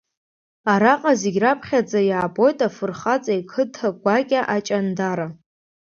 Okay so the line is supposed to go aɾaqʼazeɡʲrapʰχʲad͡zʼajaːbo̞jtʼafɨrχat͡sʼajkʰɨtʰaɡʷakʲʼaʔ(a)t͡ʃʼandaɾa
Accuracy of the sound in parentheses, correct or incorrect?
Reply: correct